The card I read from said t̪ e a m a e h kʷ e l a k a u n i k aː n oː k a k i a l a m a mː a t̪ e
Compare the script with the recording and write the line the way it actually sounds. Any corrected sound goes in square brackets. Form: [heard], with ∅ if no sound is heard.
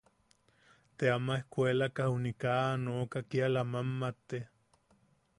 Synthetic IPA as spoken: t̪ e a m a e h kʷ e l a k a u n i k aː n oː k a k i a l a m a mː a t̪ e